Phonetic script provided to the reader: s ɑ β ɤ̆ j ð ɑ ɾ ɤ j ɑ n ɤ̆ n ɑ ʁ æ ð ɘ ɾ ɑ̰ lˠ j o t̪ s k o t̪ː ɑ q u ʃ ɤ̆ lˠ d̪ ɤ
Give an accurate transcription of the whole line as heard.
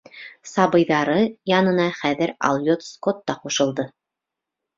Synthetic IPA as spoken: s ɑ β ɤ̆ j ð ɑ ɾ ɤ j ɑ n ɤ̆ n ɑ χ æ ð ɘ ɾ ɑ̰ lˠ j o t̪ s k o t̪ː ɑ q u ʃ ɤ̆ lˠ d̪ ɤ